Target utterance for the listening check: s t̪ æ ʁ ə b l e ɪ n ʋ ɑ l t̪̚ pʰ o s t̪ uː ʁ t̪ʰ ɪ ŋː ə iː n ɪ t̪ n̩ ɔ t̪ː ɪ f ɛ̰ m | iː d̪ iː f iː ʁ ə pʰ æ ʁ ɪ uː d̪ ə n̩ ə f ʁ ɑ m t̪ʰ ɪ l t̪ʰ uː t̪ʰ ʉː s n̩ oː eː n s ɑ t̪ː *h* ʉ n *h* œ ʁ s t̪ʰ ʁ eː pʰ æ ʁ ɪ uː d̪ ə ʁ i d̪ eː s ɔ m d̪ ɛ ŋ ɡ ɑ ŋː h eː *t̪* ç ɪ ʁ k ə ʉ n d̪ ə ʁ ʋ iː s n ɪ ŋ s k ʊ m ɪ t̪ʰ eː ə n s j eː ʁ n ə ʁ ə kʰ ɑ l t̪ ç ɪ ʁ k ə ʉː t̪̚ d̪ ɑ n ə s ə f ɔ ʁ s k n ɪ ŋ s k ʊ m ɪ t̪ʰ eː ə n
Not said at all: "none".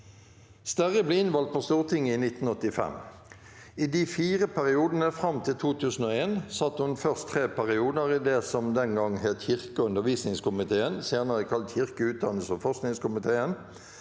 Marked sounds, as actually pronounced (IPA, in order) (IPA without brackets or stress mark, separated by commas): h, f, t̪